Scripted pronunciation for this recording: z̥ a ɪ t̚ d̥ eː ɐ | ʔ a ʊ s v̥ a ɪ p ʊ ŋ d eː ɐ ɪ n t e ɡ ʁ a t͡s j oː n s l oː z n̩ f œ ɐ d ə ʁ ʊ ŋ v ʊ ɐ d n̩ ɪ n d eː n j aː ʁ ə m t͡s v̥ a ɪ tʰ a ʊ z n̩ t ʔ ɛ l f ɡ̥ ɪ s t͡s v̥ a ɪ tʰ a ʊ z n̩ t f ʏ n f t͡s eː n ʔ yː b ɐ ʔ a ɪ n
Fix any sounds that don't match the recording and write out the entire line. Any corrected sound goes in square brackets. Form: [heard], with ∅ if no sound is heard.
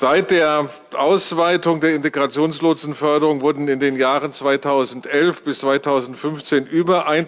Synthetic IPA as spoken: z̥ a ɪ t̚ d̥ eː ɐ | ʔ a ʊ s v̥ a ɪ [t] ʊ ŋ d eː ɐ ɪ n t e ɡ ʁ a t͡s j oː n s l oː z n̩ f œ ɐ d ə ʁ ʊ ŋ v ʊ ɐ d n̩ ɪ n d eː n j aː ʁ ə [n] t͡s v̥ a ɪ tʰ a ʊ z n̩ t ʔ ɛ l f [b̥] ɪ s t͡s v̥ a ɪ tʰ a ʊ z n̩ t f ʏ n f t͡s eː n ʔ yː b ɐ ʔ a ɪ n